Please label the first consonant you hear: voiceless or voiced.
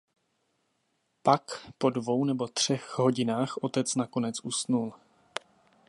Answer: voiceless